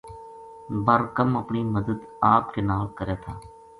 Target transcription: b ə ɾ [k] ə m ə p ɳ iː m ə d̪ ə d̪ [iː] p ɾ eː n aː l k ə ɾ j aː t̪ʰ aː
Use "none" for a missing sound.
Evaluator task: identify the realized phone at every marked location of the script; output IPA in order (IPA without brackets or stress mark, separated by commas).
k, aː